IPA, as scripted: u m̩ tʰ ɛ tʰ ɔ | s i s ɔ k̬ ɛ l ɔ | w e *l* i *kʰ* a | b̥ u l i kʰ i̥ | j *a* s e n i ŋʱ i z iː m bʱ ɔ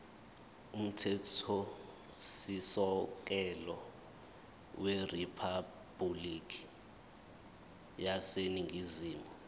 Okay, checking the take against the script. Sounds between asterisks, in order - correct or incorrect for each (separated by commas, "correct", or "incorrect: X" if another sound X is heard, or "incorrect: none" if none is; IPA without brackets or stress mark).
incorrect: r, incorrect: pʰ, correct